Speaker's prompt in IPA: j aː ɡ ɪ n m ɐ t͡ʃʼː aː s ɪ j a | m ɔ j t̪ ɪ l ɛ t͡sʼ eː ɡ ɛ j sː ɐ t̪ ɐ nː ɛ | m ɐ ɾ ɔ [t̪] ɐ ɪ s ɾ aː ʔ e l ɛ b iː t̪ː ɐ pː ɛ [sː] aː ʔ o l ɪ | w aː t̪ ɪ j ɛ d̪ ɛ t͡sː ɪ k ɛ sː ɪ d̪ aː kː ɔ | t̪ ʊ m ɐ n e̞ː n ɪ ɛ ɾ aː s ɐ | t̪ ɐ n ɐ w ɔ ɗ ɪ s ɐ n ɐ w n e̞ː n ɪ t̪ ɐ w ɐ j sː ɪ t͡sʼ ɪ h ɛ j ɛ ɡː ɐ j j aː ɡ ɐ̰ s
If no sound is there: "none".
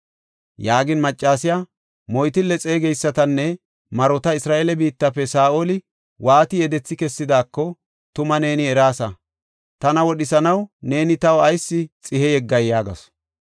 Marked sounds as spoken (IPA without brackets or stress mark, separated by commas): t̪, s